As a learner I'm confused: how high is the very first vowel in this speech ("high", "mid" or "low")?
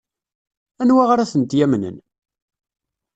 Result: low